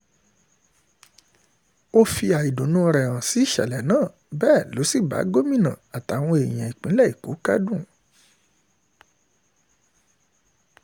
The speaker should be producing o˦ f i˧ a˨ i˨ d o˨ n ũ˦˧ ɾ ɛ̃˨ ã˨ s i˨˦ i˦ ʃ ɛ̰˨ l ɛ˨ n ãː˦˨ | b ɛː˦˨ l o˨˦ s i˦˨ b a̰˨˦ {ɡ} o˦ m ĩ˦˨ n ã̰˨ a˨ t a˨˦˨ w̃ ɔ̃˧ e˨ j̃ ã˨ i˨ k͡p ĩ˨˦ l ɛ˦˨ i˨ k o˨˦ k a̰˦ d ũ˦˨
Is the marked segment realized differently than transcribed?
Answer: no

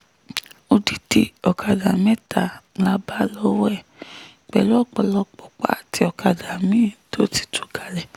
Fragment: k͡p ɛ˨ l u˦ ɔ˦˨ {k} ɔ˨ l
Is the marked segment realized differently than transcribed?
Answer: yes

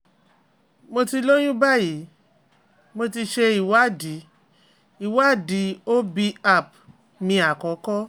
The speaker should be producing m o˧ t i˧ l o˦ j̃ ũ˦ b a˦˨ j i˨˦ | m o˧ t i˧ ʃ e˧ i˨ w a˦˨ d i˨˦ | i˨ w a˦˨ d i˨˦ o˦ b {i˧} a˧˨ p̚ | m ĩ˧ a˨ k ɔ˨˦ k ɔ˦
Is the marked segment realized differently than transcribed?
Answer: no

